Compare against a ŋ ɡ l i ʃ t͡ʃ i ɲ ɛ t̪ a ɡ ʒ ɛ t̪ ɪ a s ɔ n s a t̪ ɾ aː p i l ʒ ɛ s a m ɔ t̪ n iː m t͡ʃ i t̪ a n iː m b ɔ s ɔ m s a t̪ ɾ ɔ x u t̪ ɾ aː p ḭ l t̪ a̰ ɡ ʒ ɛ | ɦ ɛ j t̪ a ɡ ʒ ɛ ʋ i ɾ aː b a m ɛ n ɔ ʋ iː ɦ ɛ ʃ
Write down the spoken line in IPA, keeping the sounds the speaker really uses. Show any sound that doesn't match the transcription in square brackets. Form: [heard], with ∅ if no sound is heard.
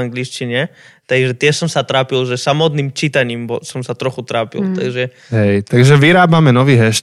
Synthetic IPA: a ŋ ɡ l i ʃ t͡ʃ i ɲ ɛ t̪ a ɡ ʒ ɛ t̪ ɪ [ɛ] s ɔ [m] s a t̪ ɾ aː p i l ʒ ɛ s a m ɔ t̪ n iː m t͡ʃ i t̪ a [ɲ] iː m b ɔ s ɔ m s a t̪ ɾ ɔ x u t̪ ɾ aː p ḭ l t̪ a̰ ɡ ʒ ɛ | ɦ ɛ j t̪ a ɡ ʒ ɛ ʋ i ɾ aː b a m ɛ n ɔ ʋ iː ɦ ɛ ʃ